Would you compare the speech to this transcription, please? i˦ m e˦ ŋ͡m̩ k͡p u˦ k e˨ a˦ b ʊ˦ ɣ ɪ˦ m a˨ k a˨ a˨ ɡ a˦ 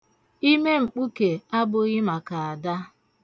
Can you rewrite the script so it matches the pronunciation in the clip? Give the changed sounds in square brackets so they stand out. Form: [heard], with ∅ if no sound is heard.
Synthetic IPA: i˦ m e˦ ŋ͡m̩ k͡p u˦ k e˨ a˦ b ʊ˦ ɣ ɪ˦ m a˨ k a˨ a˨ [d] a˦